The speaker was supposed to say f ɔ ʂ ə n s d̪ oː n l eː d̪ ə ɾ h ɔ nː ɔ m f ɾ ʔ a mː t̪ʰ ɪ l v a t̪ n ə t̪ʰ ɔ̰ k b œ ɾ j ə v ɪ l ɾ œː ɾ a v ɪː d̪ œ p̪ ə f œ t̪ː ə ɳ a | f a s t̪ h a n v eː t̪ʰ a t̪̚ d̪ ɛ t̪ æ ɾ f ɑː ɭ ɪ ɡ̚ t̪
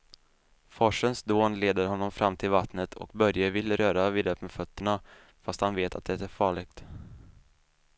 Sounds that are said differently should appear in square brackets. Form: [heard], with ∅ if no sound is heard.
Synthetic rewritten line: f ɔ ʂ ə n s d̪ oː n l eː d̪ ə ɾ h ɔ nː ɔ m f ɾ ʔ a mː t̪ʰ ɪ l v a t̪ n ə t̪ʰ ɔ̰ k b œ ɾ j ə v ɪ l ɾ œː ɾ a v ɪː d̪ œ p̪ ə f œ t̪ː ə ɳ a | f a s t̪ h a n v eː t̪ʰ a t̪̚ d̪ ɛ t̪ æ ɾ f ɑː ɭ ɪ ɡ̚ t̪